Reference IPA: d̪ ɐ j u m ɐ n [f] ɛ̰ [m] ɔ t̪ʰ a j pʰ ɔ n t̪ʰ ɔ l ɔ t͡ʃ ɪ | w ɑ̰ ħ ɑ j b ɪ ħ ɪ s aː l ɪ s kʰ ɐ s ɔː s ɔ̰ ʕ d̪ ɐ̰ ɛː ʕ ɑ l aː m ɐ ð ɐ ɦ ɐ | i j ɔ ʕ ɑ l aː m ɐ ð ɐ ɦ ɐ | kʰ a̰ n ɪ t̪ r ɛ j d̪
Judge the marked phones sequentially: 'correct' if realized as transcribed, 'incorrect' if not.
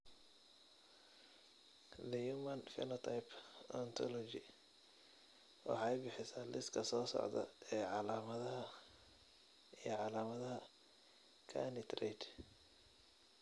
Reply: correct, incorrect

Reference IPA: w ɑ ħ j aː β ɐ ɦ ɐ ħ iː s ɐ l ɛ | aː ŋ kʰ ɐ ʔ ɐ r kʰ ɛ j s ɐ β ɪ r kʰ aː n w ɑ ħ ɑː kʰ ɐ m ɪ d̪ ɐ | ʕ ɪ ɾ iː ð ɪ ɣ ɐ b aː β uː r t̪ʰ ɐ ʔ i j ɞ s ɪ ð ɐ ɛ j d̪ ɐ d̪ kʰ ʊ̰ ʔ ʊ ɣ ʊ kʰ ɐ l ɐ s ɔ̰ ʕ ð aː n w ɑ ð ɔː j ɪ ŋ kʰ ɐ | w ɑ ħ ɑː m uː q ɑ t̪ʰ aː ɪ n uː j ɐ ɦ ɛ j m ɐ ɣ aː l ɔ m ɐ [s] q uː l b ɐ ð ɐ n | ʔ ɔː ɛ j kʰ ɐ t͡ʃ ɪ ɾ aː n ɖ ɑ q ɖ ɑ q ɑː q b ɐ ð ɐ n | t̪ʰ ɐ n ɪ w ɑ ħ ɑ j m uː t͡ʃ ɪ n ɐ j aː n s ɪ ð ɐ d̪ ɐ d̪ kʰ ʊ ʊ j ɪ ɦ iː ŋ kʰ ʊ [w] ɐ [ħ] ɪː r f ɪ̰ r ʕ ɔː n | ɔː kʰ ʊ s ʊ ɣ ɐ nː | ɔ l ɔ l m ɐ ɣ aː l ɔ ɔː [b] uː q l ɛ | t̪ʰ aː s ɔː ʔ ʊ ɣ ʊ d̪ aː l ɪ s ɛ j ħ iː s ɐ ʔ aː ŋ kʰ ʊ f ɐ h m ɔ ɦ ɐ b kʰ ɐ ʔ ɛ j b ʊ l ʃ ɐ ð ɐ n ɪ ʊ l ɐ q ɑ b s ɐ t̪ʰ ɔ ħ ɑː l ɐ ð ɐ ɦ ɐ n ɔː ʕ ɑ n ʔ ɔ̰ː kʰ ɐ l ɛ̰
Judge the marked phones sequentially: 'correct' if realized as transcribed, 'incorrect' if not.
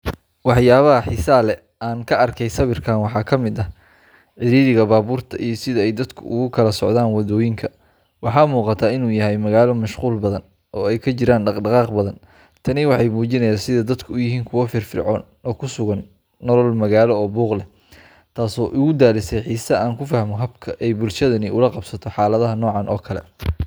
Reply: incorrect, correct, incorrect, correct

